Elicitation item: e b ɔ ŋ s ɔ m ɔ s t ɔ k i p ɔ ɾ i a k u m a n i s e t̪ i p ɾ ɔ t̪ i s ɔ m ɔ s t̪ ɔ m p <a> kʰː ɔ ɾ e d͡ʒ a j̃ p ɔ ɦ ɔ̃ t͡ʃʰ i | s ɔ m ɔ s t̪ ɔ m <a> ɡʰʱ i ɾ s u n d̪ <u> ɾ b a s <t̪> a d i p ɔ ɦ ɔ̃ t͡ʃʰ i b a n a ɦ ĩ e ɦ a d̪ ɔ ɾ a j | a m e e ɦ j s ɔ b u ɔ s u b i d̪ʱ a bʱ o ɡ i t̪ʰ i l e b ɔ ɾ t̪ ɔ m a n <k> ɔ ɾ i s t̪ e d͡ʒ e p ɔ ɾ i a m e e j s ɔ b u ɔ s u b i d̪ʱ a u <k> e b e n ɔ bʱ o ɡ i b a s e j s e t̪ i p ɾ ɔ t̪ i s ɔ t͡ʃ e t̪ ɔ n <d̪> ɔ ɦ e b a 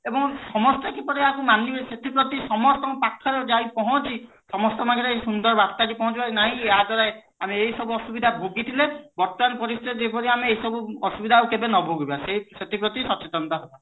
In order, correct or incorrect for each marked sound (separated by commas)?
correct, correct, incorrect, correct, incorrect, correct, incorrect